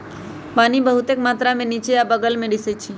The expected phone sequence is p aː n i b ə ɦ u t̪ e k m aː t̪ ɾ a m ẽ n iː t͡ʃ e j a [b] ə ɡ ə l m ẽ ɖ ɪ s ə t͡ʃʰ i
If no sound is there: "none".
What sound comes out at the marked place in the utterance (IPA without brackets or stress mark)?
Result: b